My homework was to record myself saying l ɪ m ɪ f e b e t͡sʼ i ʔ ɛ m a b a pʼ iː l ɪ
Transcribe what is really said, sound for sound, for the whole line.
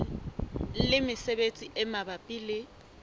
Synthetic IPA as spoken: l ɪ m ɪ s e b e t͡sʼ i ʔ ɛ m a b a pʼ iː l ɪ